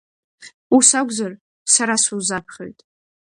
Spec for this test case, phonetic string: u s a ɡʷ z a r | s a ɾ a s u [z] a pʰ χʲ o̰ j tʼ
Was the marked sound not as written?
no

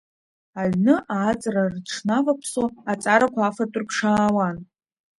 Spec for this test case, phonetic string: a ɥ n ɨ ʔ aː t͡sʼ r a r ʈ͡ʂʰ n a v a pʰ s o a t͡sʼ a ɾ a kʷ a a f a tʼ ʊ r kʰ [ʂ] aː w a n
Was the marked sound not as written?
no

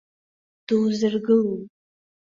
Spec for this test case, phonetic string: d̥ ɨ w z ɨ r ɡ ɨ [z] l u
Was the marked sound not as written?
yes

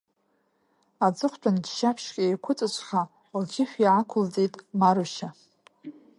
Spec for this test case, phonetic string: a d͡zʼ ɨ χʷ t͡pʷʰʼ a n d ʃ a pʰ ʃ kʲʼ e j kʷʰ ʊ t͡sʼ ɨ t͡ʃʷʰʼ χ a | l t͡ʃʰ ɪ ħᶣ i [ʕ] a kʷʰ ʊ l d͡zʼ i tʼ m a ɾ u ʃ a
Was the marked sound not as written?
no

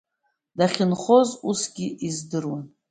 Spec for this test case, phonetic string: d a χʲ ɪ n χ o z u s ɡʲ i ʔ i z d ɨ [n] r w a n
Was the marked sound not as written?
yes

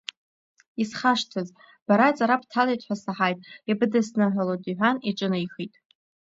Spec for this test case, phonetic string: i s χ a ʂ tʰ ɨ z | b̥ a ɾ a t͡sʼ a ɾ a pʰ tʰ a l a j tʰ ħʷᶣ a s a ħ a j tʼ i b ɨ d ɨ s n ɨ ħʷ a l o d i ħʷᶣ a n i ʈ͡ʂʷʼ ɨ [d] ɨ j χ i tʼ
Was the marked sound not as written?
yes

